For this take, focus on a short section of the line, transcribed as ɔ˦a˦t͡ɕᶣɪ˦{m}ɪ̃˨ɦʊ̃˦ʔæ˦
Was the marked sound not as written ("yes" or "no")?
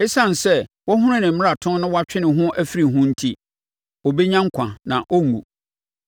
yes